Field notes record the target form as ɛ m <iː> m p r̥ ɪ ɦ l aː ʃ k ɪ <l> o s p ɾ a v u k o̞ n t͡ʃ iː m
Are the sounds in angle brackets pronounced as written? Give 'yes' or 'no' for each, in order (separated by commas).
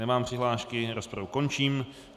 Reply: no, no